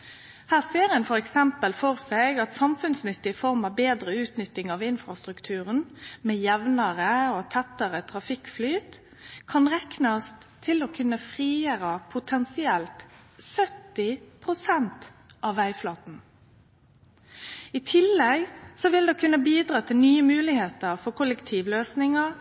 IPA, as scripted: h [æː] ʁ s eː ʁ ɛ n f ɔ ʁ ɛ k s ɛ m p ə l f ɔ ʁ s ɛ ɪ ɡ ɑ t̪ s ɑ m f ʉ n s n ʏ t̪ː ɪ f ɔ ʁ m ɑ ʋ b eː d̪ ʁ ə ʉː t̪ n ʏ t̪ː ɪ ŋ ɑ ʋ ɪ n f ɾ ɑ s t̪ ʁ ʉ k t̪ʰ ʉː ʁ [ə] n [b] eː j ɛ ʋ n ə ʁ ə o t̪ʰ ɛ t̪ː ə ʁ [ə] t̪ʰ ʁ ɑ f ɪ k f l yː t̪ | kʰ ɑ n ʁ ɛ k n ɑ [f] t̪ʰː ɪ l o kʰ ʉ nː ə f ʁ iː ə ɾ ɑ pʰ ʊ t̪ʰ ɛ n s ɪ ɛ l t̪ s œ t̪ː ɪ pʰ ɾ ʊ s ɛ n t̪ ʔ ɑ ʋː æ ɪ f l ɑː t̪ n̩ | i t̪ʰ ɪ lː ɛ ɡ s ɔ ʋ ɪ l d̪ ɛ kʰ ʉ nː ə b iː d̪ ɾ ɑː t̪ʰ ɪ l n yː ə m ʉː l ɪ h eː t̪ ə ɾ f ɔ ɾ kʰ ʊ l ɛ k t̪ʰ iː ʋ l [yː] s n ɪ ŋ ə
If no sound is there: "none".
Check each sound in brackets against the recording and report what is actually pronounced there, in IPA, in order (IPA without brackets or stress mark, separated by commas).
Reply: æː, ə, m, ə, s, øː